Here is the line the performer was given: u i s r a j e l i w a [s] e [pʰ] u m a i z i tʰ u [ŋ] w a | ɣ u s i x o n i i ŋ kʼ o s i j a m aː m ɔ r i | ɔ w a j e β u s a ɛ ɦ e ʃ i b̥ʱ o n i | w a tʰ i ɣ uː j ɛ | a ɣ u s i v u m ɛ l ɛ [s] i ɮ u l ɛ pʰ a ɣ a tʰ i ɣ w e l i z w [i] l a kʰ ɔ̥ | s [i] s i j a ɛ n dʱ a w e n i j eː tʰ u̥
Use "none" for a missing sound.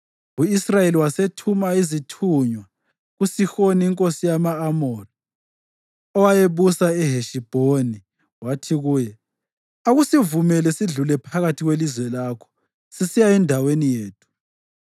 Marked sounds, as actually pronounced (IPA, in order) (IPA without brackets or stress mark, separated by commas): s, tʰ, ɲ, s, ɛ, i